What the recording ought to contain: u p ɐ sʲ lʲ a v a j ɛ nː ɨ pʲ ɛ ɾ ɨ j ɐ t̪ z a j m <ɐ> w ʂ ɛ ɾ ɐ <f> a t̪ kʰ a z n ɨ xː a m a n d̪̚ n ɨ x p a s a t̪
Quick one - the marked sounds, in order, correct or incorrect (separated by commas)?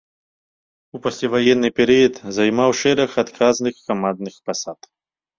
incorrect, incorrect